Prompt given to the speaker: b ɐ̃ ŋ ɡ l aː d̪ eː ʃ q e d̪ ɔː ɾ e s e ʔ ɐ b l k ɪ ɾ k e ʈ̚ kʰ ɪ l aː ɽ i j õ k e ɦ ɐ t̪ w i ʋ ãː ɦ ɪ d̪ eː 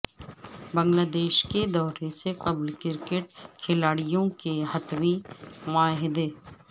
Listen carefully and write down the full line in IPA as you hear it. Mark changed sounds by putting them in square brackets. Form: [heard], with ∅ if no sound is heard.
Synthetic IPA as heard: b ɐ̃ ŋ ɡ l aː d̪ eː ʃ [k] e d̪ ɔː ɾ e s e [q] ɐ b l k ɪ ɾ k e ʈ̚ kʰ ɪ l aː ɽ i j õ k e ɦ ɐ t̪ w i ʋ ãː ɦ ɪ d̪ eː